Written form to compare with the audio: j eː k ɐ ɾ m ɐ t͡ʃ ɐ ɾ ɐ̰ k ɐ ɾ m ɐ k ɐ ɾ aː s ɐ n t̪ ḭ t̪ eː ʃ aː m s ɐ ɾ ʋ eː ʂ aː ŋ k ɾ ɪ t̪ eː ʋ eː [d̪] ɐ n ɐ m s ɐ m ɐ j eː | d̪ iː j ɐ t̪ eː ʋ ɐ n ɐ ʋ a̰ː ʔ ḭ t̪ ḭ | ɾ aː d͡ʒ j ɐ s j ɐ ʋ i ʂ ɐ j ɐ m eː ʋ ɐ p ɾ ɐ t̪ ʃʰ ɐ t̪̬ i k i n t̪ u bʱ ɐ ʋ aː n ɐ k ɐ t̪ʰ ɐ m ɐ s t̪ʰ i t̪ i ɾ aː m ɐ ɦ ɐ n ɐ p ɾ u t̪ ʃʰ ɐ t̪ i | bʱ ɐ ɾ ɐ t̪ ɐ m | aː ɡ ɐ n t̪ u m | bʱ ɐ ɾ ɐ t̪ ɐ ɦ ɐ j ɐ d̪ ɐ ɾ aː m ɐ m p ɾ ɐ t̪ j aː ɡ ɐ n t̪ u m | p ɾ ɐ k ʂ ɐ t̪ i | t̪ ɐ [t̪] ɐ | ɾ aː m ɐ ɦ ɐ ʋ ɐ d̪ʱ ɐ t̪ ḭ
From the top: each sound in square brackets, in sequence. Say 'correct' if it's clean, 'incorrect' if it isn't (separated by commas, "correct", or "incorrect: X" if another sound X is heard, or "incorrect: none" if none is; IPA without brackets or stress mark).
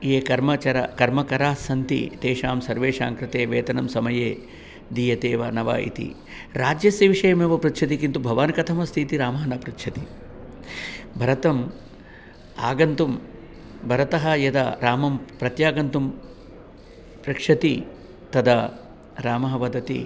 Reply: incorrect: t̪, incorrect: d̪